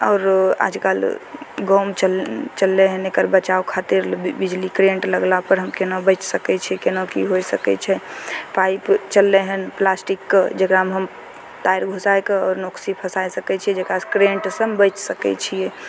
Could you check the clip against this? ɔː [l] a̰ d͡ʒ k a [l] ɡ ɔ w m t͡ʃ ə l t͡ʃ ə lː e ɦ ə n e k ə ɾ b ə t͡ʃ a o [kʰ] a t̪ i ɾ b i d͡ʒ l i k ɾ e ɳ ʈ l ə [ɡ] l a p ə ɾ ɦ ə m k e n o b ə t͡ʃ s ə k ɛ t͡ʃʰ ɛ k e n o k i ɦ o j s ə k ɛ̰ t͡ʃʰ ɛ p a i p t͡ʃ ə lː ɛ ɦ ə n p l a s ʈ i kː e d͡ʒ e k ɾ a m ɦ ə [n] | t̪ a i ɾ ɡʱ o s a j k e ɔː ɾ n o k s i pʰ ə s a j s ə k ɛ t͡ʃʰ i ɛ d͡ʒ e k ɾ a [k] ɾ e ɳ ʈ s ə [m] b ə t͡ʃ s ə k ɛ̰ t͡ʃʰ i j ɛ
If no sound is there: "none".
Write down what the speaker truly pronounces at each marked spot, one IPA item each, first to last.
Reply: ɾ, l, kʰ, ɡ, m, k, m

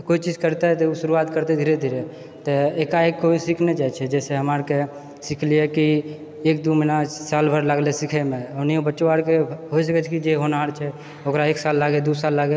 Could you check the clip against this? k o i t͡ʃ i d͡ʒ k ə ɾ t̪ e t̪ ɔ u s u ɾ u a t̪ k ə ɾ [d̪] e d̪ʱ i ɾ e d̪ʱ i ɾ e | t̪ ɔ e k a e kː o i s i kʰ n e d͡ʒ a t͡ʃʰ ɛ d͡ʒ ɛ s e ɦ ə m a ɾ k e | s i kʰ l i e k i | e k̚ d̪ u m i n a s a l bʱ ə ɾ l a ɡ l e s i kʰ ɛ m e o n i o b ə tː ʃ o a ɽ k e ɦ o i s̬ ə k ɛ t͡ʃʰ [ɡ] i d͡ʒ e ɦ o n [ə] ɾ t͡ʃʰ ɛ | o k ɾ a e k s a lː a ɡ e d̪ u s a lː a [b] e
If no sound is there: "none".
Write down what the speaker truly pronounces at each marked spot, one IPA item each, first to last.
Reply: t̪, k, a, ɡ

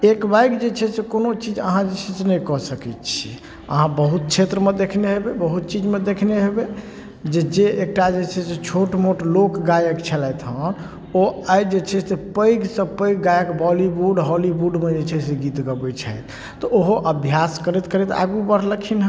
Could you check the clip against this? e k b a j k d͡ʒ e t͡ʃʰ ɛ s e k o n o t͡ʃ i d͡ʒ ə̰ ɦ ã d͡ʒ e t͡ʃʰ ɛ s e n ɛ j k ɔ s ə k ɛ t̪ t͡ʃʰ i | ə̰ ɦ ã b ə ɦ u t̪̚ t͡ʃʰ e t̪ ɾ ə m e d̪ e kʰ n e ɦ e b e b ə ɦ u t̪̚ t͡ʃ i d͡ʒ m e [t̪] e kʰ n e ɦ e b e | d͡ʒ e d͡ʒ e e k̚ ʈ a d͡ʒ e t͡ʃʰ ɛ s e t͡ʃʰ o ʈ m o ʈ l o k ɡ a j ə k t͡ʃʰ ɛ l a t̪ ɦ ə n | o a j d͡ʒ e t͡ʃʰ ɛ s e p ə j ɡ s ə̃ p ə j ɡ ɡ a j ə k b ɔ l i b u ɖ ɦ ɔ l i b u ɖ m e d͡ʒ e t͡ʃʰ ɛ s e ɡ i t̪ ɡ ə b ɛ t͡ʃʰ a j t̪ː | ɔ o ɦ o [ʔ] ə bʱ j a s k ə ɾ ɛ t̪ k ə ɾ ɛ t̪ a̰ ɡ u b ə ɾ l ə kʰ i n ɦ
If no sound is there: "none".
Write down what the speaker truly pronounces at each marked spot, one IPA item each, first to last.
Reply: d̪, ʔ

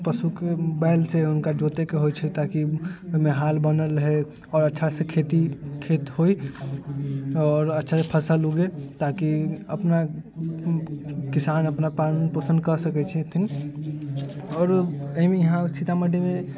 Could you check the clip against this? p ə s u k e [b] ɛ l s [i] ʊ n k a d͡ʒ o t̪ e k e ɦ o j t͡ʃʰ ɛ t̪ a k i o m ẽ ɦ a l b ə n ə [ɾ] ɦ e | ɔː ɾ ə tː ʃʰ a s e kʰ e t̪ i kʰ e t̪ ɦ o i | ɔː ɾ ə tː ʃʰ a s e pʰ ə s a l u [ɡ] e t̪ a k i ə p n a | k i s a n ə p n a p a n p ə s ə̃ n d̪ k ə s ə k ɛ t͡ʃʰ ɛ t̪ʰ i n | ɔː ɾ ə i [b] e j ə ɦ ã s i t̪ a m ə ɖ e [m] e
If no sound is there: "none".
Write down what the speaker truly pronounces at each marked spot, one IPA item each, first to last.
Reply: b, e, l, ɡ, m, m

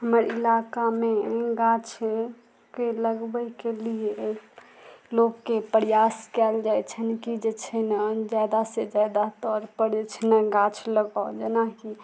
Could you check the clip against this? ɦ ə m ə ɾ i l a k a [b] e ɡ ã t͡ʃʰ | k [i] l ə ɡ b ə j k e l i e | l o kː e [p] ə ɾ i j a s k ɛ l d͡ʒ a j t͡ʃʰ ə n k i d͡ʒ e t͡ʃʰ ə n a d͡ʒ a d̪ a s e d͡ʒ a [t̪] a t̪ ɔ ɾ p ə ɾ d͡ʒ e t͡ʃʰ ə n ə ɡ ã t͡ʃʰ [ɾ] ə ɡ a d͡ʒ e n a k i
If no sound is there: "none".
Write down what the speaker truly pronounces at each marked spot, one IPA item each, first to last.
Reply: m, e, p, d̪, l

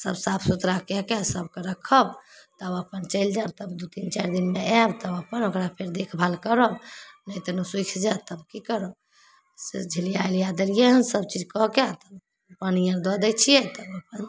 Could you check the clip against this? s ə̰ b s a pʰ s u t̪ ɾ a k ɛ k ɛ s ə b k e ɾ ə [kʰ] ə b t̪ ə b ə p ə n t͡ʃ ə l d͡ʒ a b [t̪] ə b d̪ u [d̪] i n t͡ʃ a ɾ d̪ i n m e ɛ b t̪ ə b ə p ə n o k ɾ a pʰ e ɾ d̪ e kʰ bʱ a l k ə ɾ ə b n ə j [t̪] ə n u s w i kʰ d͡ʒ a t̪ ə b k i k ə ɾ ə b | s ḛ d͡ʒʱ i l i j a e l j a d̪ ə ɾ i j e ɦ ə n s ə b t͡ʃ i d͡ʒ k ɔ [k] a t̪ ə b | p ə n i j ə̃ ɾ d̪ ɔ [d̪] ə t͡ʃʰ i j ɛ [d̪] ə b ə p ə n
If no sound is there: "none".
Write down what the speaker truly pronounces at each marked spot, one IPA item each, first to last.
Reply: kʰ, t̪, t̪, t̪, k, d̪, t̪

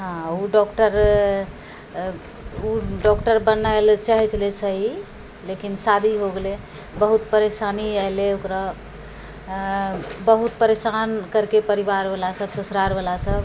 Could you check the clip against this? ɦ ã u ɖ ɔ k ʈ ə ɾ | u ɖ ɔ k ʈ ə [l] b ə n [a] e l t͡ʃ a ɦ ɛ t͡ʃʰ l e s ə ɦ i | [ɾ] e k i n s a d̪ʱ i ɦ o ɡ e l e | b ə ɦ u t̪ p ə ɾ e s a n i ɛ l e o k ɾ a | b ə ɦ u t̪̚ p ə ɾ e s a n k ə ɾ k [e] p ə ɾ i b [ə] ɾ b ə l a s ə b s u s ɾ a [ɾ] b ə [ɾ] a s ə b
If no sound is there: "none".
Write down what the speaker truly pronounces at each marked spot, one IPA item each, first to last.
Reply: ɾ, a, l, e, a, ɾ, l

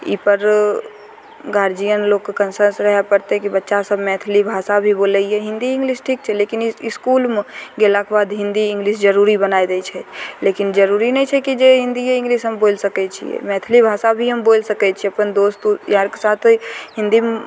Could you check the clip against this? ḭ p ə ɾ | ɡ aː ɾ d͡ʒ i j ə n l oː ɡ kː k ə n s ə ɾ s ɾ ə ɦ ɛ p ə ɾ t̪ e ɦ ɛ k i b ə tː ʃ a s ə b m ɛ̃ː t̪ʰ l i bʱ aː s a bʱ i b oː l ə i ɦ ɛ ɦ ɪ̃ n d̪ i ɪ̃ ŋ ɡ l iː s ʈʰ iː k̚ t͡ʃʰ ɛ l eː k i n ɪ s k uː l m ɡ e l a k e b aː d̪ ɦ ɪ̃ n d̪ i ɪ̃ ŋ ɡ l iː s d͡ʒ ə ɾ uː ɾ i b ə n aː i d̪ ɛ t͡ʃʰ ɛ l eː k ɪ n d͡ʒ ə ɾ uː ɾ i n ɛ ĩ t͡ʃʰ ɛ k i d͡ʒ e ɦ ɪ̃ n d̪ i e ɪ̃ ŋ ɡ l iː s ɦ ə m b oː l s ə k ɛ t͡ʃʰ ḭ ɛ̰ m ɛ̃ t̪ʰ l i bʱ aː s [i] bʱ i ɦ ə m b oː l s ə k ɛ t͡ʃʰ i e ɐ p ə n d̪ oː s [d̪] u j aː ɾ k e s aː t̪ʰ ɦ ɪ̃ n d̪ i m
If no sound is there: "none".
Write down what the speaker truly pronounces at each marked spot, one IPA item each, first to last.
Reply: a, t̪

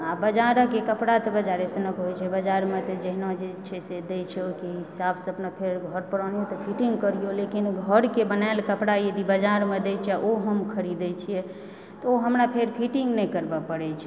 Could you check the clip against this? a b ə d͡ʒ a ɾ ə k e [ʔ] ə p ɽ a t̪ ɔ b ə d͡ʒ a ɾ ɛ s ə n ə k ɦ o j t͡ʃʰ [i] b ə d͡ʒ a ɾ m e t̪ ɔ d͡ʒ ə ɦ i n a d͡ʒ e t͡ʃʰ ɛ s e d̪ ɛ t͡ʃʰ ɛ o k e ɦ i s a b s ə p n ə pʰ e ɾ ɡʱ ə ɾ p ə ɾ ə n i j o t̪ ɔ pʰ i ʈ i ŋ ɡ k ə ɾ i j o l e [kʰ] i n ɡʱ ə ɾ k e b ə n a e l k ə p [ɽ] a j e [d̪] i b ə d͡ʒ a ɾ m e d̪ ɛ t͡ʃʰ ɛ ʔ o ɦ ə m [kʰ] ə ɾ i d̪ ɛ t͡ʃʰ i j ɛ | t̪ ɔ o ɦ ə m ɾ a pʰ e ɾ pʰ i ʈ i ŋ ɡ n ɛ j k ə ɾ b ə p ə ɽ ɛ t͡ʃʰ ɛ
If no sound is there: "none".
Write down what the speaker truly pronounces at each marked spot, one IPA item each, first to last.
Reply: k, ɛ, k, ɽ, d̪, kʰ

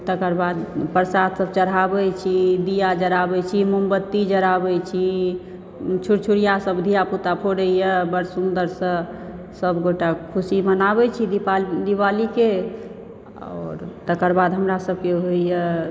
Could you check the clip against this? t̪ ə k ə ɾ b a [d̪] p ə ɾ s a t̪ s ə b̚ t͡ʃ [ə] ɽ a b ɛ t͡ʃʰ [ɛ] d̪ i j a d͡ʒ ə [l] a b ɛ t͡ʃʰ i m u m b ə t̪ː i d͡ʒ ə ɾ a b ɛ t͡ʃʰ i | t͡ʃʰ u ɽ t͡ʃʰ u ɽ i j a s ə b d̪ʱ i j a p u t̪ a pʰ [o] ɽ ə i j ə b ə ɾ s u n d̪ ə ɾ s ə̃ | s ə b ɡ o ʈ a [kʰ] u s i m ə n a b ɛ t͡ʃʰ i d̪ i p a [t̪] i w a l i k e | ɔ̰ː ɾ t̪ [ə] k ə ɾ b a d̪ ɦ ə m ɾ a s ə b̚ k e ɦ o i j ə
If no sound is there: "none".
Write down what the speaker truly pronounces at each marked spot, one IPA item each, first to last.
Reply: d̪, ə, i, ɾ, o, kʰ, d̪, ə

